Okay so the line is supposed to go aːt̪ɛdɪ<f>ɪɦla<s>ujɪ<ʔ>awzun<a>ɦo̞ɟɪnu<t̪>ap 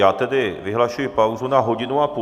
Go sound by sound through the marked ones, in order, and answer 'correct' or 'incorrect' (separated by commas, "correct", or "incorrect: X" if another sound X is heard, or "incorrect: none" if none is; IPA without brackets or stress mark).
incorrect: v, incorrect: ʃ, incorrect: p, correct, incorrect: none